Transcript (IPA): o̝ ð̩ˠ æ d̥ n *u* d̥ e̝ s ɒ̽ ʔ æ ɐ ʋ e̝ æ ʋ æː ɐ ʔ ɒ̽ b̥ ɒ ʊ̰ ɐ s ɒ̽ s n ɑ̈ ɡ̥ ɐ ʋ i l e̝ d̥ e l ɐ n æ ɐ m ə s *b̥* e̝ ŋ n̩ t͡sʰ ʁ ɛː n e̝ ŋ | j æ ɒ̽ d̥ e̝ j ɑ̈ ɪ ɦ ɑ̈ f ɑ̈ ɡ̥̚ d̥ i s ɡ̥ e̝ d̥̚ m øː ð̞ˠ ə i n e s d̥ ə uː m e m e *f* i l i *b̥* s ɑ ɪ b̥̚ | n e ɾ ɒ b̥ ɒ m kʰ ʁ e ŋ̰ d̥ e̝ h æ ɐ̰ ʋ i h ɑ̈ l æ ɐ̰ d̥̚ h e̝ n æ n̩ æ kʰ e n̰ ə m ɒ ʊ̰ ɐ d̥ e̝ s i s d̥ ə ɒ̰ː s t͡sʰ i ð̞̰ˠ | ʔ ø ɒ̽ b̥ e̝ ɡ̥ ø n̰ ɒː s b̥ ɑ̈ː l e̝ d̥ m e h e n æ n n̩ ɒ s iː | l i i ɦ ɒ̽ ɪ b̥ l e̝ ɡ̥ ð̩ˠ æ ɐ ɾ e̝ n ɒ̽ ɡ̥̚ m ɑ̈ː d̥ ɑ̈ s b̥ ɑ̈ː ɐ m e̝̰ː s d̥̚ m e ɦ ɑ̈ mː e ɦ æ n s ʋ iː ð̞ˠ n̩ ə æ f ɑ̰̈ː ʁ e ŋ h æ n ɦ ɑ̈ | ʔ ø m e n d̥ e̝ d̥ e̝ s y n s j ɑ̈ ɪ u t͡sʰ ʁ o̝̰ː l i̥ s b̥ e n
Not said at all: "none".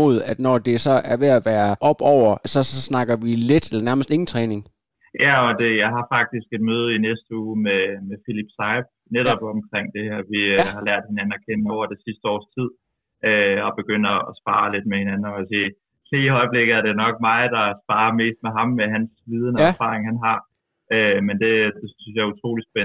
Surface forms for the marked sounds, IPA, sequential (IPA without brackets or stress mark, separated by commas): ɒ, d̥, f, b̥